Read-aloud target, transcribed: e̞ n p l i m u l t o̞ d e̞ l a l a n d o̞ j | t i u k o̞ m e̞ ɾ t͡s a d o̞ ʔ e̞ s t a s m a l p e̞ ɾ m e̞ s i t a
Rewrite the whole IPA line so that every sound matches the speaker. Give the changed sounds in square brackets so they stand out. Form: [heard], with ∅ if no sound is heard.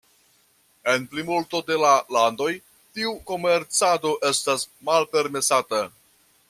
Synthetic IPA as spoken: e̞ n p l i m u l t o̞ d e̞ l a l a n d o̞ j | t i u k o̞ m e̞ ɾ t͡s a d o̞ ʔ e̞ s t a s m a l p e̞ ɾ m e̞ s [a] t a